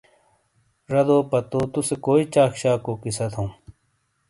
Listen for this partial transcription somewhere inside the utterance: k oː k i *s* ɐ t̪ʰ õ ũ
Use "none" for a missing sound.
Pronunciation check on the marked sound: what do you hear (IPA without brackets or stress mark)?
s